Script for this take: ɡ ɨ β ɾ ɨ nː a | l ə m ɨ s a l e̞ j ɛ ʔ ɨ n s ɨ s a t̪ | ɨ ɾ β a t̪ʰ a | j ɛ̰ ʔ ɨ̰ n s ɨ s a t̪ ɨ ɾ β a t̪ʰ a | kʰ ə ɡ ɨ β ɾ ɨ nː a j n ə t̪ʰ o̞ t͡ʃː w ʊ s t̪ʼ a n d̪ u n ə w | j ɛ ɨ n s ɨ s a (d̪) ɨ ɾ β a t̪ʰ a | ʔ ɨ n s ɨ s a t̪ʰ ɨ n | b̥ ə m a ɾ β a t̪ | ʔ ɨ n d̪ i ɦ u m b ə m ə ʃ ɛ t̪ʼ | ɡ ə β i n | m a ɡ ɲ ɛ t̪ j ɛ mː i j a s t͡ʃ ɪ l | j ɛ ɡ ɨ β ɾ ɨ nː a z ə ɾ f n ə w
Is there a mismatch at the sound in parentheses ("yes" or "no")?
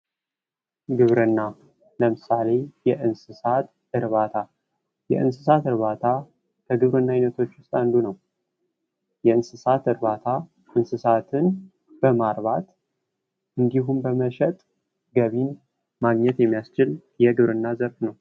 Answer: yes